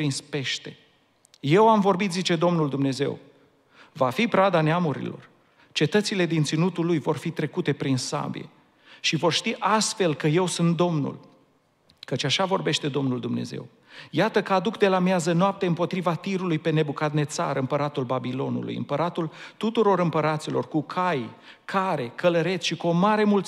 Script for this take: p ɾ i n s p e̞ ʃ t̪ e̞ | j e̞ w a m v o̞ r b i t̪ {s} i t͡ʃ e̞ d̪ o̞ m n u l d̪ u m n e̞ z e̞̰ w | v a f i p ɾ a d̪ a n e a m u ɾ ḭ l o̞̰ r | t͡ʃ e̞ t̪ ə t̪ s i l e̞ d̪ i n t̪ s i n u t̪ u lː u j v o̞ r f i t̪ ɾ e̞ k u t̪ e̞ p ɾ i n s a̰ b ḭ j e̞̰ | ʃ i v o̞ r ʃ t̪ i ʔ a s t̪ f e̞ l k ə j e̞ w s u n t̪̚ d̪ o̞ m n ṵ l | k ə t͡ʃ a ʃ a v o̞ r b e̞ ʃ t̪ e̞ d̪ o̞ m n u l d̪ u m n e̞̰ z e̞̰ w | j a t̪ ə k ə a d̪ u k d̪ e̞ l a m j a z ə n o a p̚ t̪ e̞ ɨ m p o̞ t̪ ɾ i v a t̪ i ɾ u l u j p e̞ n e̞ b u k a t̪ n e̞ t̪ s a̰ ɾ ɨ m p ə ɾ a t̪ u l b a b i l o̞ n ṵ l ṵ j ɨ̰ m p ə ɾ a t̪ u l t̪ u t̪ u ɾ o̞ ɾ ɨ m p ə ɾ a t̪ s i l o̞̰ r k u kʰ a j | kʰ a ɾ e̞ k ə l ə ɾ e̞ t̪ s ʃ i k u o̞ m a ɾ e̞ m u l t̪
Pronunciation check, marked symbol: incorrect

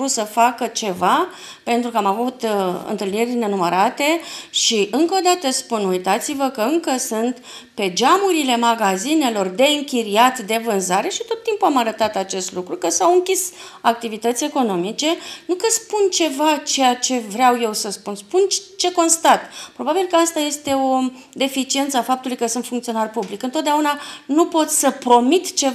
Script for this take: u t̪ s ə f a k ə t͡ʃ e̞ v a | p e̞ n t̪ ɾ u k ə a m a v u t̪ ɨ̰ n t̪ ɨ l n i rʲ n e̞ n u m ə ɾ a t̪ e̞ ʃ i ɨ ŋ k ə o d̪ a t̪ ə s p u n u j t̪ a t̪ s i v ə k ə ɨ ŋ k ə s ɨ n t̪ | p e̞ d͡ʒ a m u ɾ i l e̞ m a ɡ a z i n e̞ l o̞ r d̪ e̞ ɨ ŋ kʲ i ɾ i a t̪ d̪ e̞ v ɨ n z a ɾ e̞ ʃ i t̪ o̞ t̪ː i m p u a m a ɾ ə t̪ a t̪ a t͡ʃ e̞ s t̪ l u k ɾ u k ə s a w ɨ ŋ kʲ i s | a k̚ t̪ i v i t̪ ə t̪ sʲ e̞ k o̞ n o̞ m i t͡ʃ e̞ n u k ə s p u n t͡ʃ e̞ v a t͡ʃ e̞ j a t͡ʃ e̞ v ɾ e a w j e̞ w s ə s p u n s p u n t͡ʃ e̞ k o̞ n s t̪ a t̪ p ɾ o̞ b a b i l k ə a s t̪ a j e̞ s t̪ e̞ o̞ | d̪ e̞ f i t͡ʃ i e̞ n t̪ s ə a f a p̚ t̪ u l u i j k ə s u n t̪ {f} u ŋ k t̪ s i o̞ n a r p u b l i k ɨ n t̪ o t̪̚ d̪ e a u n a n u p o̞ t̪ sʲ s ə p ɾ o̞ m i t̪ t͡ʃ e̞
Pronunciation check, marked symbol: correct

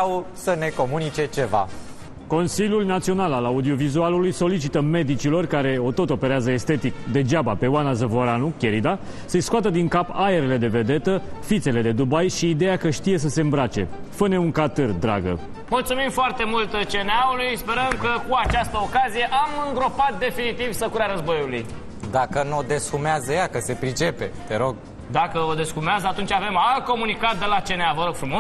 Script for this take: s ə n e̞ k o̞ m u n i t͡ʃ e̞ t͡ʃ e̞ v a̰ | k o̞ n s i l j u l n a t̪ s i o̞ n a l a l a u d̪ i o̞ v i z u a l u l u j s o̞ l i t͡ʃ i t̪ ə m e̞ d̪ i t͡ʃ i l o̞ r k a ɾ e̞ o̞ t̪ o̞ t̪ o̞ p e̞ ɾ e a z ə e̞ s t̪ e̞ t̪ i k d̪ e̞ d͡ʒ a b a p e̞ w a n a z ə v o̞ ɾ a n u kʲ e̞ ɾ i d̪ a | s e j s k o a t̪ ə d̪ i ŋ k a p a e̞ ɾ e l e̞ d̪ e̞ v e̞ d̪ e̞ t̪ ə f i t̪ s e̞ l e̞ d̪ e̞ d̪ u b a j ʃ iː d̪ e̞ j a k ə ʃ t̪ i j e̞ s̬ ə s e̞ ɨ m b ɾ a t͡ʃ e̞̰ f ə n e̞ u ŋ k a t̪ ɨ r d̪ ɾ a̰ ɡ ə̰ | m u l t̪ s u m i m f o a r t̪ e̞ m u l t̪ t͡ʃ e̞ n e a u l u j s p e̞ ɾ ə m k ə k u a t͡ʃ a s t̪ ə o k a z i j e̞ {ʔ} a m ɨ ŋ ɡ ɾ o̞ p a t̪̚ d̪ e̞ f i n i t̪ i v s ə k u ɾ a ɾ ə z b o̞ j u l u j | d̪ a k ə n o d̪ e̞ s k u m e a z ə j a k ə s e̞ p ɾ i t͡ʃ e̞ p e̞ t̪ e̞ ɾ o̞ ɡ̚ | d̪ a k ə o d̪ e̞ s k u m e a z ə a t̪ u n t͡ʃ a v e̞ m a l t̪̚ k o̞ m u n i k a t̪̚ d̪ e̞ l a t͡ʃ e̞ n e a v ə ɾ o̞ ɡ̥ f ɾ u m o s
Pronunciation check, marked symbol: correct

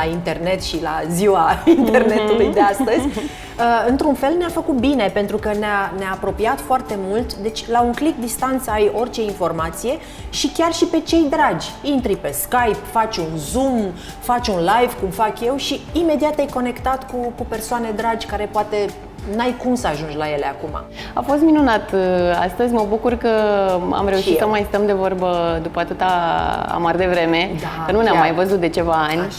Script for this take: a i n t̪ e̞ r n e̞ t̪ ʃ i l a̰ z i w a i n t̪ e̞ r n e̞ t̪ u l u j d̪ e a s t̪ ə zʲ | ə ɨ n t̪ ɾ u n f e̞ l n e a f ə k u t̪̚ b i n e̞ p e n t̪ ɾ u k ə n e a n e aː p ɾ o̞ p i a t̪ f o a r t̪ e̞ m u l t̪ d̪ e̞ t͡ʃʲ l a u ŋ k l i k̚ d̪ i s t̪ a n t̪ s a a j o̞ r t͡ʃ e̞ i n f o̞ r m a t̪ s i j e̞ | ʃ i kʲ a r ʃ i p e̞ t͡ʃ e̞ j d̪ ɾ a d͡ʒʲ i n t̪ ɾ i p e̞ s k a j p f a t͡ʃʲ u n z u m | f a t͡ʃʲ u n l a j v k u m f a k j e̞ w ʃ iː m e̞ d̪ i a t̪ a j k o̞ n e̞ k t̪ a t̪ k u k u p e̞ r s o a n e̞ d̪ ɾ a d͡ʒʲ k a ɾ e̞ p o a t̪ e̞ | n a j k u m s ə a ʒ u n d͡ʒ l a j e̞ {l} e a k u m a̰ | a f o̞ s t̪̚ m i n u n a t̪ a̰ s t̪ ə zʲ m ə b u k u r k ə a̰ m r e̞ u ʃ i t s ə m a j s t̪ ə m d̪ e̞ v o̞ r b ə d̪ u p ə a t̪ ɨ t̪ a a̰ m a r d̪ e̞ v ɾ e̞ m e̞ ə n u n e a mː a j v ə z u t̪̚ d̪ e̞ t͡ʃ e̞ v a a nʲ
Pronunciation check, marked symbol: correct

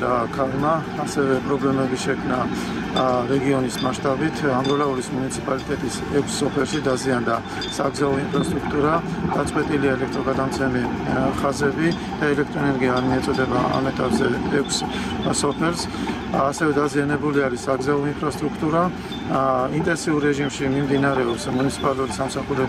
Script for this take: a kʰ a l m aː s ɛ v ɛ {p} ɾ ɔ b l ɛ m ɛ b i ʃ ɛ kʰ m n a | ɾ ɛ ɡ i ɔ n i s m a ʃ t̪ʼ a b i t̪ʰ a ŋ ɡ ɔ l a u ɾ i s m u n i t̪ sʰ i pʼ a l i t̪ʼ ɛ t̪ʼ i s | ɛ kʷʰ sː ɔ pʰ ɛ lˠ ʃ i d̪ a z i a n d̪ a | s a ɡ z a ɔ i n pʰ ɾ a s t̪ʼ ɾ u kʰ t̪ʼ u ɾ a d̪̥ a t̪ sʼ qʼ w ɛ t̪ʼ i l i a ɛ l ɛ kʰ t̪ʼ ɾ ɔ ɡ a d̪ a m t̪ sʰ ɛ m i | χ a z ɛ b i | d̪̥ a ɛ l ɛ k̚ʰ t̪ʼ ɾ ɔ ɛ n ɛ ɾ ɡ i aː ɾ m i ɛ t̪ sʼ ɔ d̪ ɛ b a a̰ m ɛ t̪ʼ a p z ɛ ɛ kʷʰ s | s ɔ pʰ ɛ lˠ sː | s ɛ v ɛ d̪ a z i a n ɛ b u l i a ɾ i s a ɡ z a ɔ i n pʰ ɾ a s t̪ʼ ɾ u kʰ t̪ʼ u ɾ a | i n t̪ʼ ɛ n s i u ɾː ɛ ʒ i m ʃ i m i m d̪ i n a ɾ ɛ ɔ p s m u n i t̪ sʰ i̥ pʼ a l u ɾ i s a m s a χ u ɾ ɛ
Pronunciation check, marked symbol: incorrect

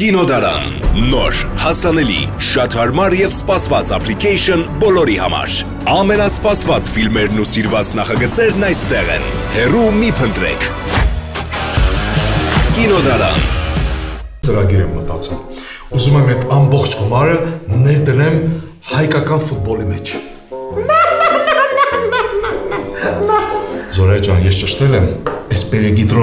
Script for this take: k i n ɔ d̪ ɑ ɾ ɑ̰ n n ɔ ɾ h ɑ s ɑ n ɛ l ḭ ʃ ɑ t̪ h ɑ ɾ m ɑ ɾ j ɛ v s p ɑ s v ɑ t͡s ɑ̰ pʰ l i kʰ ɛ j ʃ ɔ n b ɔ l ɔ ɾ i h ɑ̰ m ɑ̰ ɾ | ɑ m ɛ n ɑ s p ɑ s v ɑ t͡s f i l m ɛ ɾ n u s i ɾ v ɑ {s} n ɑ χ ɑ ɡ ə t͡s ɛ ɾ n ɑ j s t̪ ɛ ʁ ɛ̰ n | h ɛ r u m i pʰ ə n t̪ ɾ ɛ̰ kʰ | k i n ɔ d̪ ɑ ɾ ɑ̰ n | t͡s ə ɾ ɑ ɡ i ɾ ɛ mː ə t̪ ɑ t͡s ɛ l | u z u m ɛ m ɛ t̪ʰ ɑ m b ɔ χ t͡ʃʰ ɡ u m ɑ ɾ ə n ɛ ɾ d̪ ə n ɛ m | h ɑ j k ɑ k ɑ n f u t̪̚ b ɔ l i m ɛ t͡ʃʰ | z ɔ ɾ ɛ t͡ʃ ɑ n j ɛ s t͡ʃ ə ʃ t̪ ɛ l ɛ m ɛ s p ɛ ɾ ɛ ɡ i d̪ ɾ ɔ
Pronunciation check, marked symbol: incorrect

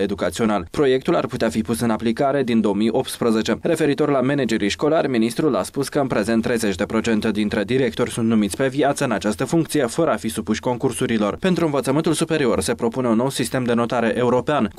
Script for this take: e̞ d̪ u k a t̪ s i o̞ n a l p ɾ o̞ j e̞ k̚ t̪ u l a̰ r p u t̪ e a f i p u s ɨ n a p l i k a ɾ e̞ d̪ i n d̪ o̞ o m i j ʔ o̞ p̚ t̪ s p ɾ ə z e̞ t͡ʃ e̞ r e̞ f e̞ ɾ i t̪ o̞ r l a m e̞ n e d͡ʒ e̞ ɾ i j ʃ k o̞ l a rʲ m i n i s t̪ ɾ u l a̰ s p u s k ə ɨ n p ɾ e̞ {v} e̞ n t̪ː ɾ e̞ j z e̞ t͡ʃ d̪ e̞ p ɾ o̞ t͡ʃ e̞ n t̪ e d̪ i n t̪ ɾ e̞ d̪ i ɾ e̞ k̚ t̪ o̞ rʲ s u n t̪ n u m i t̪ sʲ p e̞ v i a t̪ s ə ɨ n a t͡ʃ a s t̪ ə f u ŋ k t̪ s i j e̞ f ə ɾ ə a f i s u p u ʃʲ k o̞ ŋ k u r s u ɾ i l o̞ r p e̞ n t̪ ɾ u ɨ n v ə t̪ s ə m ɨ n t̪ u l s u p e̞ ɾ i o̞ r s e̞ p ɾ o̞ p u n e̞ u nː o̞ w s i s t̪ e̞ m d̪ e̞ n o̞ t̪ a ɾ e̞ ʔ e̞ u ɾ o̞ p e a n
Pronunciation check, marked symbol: incorrect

